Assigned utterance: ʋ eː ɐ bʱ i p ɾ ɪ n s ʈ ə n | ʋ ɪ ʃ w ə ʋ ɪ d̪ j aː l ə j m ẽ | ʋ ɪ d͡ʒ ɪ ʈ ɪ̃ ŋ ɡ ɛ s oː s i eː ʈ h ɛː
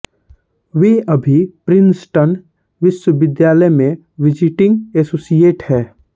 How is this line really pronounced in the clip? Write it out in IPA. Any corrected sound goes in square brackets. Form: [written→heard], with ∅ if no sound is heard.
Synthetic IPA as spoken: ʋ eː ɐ bʱ i p ɾ ɪ n s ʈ ə n | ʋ ɪ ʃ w ə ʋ ɪ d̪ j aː l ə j m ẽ | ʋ ɪ d͡ʒ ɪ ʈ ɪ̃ ŋ ɡ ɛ s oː s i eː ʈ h ɛː